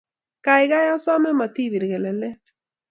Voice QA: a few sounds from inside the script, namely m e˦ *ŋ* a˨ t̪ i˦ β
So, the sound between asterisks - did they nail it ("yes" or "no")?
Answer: no